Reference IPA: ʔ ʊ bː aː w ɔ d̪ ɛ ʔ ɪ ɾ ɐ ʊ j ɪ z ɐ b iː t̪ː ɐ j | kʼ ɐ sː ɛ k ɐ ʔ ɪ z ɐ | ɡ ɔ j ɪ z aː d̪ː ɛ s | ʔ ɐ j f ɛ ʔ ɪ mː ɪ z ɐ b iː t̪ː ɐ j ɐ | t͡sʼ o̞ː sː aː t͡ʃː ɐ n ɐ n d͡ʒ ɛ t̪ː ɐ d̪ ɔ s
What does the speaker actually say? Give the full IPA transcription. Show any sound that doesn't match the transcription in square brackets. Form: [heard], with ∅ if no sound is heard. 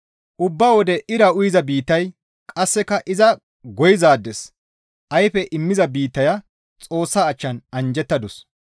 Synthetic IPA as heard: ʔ ʊ bː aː w ɔ d̪ ɛ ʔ ɪ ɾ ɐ ʊ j ɪ z ɐ b iː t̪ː ɐ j | kʼ ɐ sː ɛ k ɐ ʔ ɪ z ɐ | ɡ ɔ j ɪ z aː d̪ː ɛ s | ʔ ɐ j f ɛ ʔ ɪ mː ɪ z ɐ b iː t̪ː ɐ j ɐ | t͡sʼ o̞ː sː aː t͡ʃː ɐ n ɐ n d͡ʒ ɛ t̪ː ɐ d̪ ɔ s